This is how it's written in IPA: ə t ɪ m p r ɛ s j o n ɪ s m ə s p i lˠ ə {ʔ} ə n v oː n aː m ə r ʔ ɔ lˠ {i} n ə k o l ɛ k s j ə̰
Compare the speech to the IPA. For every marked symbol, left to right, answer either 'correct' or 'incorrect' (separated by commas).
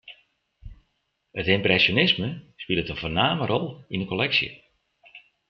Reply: incorrect, correct